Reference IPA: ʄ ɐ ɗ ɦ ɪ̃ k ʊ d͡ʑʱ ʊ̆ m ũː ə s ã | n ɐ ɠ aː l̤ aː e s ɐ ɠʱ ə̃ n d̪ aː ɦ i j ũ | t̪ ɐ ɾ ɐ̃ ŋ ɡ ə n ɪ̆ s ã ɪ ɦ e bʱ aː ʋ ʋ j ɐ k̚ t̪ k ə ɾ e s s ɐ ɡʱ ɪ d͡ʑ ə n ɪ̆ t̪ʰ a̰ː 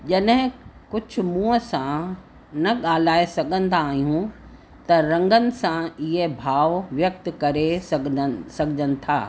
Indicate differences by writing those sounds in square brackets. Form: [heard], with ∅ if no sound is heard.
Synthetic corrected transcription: ʄ ɐ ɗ ɦ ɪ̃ k ʊ d͡ʑʱ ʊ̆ m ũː ə s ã | n ɐ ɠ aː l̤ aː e s ɐ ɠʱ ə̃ n d̪ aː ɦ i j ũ | t̪ ɐ ɾ ɐ̃ ŋ ɡ ə n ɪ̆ s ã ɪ ɦ e bʱ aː ʋ ʋ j ɐ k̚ t̪ k [ɐ] ɾ e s s ɐ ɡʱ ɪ d͡ʑ ə n ɪ̆ t̪ʰ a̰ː